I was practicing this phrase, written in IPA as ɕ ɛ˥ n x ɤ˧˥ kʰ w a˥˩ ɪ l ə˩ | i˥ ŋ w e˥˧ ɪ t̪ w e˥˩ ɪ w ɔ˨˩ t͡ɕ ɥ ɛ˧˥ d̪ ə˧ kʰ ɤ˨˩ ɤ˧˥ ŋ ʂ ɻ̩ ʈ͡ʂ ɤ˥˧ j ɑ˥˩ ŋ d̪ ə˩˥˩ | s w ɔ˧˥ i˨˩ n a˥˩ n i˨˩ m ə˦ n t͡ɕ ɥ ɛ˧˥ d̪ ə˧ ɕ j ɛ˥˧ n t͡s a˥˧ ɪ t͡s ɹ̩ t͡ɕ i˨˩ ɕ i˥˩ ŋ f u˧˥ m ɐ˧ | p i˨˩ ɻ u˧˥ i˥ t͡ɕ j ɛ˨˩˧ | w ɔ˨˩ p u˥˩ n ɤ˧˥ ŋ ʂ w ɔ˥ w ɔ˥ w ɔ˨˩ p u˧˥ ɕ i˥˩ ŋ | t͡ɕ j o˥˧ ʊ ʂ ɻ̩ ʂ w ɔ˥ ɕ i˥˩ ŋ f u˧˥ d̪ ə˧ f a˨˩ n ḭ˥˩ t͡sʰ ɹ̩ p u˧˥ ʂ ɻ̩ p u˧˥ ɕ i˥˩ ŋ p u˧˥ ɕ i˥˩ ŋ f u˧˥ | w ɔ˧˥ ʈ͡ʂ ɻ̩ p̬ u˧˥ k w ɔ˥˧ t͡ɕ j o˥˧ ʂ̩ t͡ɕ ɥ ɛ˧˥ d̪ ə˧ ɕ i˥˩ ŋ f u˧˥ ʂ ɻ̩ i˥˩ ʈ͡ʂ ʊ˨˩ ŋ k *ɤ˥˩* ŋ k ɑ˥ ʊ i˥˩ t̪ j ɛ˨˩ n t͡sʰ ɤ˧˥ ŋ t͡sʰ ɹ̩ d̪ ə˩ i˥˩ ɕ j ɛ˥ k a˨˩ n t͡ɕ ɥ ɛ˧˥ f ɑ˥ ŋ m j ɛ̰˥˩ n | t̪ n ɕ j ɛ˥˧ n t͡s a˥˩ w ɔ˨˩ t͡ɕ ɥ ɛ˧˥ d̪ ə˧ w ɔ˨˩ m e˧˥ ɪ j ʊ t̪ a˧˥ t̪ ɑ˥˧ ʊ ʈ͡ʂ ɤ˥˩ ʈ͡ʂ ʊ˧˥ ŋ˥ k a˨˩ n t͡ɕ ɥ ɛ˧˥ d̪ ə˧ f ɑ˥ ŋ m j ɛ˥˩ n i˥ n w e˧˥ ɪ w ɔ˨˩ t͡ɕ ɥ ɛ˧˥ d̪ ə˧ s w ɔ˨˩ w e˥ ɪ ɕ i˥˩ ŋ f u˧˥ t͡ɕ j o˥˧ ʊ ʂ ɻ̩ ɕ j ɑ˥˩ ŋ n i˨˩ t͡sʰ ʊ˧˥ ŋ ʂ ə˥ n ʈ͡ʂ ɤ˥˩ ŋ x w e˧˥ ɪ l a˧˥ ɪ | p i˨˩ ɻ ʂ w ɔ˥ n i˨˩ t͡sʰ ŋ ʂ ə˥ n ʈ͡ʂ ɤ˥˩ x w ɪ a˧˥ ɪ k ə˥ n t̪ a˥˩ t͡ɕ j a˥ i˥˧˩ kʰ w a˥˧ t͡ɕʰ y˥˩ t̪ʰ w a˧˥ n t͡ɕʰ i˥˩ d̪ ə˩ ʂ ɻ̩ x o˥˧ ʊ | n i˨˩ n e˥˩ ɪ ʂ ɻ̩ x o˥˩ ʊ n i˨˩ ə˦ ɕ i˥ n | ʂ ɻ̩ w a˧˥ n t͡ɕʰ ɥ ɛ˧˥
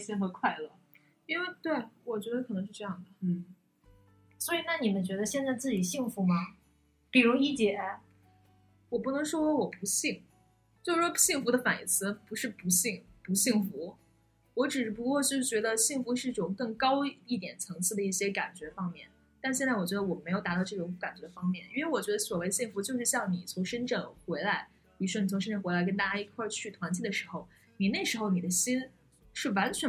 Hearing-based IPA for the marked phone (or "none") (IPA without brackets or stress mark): ɤ˥˩